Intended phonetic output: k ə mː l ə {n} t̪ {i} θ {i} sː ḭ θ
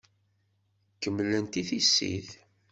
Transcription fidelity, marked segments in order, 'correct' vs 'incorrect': correct, correct, correct

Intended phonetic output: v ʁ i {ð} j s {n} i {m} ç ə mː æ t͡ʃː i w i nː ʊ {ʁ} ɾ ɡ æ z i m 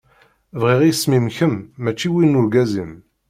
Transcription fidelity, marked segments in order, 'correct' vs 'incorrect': incorrect: ʁ, incorrect: m, correct, incorrect: none

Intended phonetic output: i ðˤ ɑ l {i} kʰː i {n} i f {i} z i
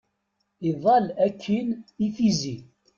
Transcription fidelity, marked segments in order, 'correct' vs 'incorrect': incorrect: æ, correct, correct

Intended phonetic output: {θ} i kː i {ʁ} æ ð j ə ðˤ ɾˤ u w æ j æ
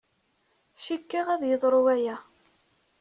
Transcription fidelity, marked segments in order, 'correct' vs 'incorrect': incorrect: ʃ, correct

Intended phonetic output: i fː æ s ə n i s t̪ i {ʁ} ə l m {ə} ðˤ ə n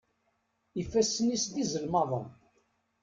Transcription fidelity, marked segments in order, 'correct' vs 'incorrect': incorrect: z, incorrect: ɑ

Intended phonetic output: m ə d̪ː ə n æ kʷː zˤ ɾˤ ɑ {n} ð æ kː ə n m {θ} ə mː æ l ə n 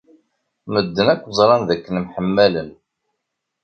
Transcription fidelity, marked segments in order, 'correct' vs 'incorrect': correct, incorrect: ħ

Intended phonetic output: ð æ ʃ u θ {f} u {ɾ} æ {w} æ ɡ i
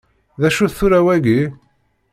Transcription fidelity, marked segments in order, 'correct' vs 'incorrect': incorrect: θ, correct, correct

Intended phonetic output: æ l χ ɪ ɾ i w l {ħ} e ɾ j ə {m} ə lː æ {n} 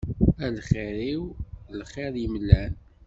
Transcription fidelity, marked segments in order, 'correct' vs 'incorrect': incorrect: χ, correct, correct

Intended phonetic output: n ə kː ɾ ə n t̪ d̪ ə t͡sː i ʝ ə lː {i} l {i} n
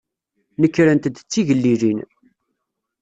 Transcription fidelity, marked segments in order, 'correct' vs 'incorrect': correct, correct

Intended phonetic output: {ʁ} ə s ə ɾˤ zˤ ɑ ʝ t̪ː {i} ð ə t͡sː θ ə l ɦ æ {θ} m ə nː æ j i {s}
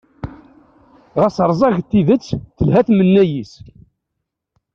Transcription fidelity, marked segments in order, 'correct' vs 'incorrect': correct, correct, correct, correct

